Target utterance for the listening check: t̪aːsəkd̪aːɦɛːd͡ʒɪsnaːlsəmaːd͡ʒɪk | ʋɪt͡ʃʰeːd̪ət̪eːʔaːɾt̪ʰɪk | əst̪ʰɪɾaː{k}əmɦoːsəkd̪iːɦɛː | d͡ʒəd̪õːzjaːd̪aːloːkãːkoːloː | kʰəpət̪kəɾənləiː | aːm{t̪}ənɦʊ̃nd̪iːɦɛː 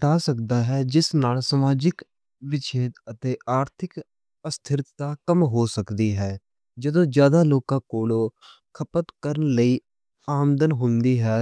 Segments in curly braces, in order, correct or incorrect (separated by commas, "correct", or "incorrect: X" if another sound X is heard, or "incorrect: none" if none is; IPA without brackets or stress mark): correct, incorrect: d̪